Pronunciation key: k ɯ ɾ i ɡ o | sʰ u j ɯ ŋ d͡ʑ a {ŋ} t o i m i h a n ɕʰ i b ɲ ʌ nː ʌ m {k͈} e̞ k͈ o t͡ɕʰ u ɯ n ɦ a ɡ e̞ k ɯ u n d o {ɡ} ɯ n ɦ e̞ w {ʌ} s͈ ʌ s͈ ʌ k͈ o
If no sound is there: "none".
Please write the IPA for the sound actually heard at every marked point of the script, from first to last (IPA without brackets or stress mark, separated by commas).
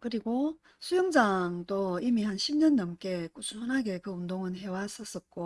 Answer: ŋ, k͈, ŋ, a